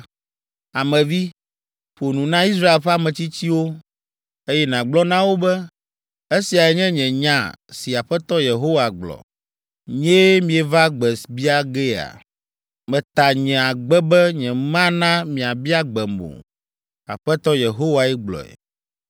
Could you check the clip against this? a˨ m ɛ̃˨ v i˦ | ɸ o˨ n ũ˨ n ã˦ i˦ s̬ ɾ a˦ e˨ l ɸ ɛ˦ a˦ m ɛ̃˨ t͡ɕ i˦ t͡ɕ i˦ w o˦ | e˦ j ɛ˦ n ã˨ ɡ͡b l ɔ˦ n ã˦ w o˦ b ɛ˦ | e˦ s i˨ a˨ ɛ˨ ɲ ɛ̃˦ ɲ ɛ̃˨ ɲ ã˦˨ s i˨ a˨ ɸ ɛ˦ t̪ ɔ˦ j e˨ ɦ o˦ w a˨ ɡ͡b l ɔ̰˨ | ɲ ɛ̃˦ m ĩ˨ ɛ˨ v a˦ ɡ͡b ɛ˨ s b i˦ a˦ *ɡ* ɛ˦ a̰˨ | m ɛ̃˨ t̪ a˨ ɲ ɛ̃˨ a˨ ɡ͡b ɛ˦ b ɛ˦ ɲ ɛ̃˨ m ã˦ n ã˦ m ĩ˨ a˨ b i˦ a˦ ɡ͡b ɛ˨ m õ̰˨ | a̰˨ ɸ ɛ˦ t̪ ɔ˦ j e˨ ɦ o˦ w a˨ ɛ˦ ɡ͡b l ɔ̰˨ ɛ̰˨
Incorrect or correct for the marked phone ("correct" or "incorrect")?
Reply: correct